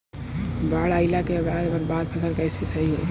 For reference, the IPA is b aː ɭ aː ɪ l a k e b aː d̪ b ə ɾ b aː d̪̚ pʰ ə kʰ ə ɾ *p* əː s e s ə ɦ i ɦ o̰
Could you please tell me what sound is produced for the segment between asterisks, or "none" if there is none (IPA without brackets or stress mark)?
k